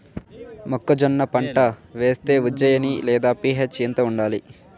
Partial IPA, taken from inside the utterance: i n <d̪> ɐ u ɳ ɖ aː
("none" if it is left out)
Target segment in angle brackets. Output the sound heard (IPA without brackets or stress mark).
t̪